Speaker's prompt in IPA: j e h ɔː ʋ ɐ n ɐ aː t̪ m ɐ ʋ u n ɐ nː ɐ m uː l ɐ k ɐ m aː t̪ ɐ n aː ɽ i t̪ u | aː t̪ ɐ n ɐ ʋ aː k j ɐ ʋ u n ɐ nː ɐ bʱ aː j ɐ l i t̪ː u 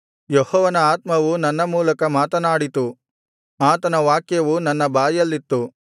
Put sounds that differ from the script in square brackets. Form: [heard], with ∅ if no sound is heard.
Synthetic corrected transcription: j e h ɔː ʋ ɐ n ɐ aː t̪ m ɐ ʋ u n ɐ nː ɐ m uː l ɐ k ɐ m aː t̪ ɐ n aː ɽ i t̪ u | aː t̪ ɐ n ɐ ʋ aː k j ɐ ʋ u n ɐ nː ɐ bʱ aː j ɐ [lː] i t̪ː u

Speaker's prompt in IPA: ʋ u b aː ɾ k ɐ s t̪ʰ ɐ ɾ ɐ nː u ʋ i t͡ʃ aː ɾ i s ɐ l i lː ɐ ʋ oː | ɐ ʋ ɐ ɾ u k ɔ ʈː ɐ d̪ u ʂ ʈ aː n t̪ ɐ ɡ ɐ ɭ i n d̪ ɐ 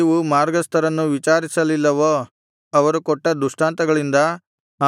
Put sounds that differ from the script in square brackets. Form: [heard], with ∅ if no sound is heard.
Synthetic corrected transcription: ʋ u [m] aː ɾ [ɡ] ɐ s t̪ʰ ɐ ɾ ɐ nː u ʋ i t͡ʃ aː ɾ i s ɐ l i lː ɐ ʋ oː | ɐ ʋ ɐ ɾ u k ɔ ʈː ɐ d̪ u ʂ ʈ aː n t̪ ɐ ɡ ɐ ɭ i n d̪ ɐ

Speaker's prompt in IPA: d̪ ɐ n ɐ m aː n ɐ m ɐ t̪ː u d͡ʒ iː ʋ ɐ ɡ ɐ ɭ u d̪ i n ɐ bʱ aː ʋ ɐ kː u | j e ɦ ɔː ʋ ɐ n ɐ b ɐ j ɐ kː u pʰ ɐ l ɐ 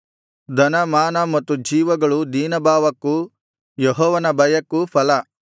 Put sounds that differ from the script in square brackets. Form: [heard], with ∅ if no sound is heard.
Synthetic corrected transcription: d̪ ɐ n ɐ m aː n ɐ m ɐ t̪ː u d͡ʒ iː ʋ ɐ ɡ ɐ ɭ u d̪ [iː] n ɐ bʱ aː ʋ ɐ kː u | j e ɦ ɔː ʋ ɐ n ɐ b ɐ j ɐ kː u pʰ ɐ l ɐ

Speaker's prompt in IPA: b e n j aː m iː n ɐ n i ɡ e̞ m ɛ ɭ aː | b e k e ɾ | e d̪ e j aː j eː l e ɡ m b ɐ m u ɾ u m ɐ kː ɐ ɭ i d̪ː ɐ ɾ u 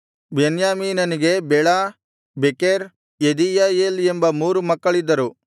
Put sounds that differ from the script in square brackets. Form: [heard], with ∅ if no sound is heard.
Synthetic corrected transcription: b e n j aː m iː n ɐ n i ɡ e̞ [b] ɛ ɭ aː | b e k e ɾ | e d̪ [i] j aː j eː l e [∅] m b ɐ m [uː] ɾ u m ɐ kː ɐ ɭ i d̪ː ɐ ɾ u

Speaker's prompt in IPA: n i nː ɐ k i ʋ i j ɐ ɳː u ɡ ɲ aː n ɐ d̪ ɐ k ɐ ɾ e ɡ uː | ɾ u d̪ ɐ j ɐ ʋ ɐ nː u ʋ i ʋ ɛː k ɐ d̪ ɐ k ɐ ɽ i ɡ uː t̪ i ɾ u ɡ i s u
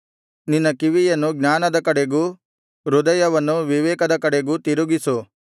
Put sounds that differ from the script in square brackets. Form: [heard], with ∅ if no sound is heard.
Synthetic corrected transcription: n i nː ɐ k i ʋ i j ɐ [nː] u ɡ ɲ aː n ɐ d̪ ɐ k ɐ [ɽ] e ɡ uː | ɾ u d̪ ɐ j ɐ ʋ ɐ nː u ʋ i ʋ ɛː k ɐ d̪ ɐ k ɐ ɽ [e] ɡ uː t̪ i ɾ u ɡ i s u

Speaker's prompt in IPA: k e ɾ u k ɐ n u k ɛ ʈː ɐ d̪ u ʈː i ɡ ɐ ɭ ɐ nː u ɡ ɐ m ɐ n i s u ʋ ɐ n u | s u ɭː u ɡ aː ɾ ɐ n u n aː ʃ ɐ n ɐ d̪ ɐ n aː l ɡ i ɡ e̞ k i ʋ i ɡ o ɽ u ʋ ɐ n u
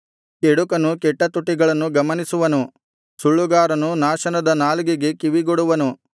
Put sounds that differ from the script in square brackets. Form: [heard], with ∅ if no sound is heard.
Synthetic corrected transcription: k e [ɽ] u k ɐ n u k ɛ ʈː ɐ [t̪] u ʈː i ɡ ɐ ɭ ɐ nː u ɡ ɐ m ɐ n i s u ʋ ɐ n u | s u ɭː u ɡ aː ɾ ɐ n u n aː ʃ ɐ n ɐ d̪ ɐ n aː l ɡ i ɡ e̞ k i ʋ i ɡ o ɽ u ʋ ɐ n u

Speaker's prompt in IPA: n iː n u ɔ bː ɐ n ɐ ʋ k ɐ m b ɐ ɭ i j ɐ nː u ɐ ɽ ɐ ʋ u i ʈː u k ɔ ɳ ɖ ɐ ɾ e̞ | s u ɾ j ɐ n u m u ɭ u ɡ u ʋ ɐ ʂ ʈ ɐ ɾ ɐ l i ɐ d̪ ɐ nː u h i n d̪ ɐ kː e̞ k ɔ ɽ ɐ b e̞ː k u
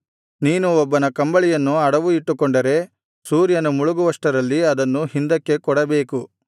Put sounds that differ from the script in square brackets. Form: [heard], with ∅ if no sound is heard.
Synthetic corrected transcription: n iː n u ɔ bː ɐ n ɐ [∅] k ɐ m b ɐ ɭ i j ɐ nː u ɐ ɽ ɐ ʋ u i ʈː u k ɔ ɳ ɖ ɐ ɾ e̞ | s [uː] ɾ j ɐ n u m u ɭ u ɡ u ʋ ɐ ʂ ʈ ɐ ɾ ɐ [lː] i ɐ d̪ ɐ nː u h i n d̪ ɐ kː e̞ k ɔ ɽ ɐ b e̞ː k u

